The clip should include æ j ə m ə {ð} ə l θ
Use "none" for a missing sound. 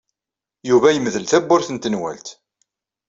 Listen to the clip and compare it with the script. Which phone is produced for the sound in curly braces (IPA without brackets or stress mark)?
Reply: ð